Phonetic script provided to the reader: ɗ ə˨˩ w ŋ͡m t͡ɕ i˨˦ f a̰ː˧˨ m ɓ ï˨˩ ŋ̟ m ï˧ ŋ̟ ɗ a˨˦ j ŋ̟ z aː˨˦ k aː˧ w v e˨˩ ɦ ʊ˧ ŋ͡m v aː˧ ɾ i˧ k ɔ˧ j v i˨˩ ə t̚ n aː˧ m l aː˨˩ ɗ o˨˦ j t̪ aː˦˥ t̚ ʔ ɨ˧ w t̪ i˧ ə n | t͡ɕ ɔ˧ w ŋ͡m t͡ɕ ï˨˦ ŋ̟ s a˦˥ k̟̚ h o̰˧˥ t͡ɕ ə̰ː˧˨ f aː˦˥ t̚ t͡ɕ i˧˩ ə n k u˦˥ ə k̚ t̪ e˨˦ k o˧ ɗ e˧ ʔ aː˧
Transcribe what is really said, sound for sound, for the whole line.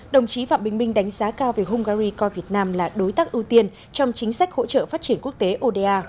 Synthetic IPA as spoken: ɗ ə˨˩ w ŋ͡m t͡ɕ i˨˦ f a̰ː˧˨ m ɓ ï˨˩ ŋ̟ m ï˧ ŋ̟ ɗ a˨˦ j ŋ̟ z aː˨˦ k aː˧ w v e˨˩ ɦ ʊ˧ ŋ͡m ɣ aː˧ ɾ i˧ k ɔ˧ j v i˨˩ ə t̚ n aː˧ m l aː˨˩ ɗ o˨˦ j t̪ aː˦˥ k̚ ʔ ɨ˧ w t̪ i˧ ə n | t͡ɕ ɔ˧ w ŋ͡m t͡ɕ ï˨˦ ŋ̟ s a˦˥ k̟̚ h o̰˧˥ t͡ɕ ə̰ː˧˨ f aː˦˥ t̚ t͡ɕ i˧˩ ə n k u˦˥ ə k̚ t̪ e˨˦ ʔ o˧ ɗ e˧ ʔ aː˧